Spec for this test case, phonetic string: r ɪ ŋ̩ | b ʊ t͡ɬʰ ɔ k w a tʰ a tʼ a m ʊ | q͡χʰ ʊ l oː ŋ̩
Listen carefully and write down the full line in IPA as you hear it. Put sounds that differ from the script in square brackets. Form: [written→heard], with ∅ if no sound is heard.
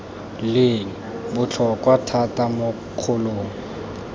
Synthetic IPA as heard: [r→l] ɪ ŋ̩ | b ʊ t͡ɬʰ ɔ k w a tʰ a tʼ a m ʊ | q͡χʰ ʊ l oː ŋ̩